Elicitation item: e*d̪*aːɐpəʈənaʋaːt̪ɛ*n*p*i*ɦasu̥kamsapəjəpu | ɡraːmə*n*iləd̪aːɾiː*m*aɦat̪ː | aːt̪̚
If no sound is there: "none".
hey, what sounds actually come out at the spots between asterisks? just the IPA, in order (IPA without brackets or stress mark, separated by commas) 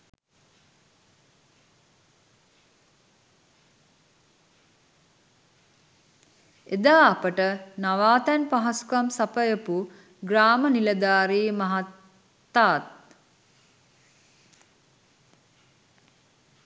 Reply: d̪, n, a, n, m